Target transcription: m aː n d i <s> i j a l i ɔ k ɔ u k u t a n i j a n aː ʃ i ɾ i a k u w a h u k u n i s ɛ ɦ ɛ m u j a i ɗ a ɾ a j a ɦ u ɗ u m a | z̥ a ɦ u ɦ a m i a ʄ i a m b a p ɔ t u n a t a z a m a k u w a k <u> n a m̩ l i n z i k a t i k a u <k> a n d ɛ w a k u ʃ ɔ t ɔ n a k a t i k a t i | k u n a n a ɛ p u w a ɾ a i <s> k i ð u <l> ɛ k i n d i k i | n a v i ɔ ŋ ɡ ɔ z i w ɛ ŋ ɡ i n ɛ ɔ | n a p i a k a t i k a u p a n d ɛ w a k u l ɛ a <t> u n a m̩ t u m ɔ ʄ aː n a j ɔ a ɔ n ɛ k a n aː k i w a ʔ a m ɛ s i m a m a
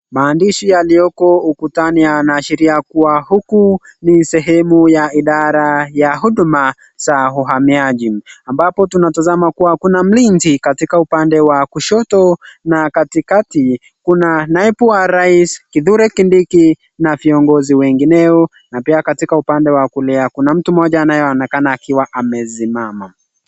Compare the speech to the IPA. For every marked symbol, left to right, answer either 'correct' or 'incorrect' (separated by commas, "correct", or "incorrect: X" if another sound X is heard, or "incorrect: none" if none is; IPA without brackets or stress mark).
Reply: incorrect: ʃ, correct, incorrect: p, correct, incorrect: ɾ, incorrect: k